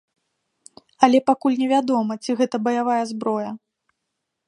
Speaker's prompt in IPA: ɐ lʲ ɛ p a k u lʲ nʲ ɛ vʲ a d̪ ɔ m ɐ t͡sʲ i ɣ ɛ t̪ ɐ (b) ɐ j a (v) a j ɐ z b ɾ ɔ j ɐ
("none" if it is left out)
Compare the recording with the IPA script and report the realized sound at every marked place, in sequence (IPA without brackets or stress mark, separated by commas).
b, v